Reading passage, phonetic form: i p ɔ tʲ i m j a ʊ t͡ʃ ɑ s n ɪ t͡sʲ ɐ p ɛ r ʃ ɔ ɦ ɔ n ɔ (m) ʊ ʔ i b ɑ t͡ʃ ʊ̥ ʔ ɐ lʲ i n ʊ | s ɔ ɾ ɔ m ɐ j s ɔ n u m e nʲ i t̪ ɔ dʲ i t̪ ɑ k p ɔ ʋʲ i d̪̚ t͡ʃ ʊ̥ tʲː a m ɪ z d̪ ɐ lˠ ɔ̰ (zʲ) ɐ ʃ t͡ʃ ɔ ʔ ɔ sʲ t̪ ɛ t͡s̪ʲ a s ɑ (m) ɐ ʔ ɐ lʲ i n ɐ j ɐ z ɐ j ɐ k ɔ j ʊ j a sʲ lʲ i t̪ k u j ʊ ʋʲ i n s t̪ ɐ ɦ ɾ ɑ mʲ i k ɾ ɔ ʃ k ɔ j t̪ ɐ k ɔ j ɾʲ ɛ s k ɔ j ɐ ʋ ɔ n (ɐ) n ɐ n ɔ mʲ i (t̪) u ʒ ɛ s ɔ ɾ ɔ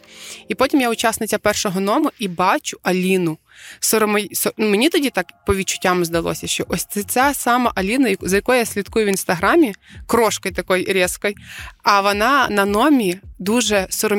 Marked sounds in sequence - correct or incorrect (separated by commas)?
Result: correct, incorrect, correct, incorrect, incorrect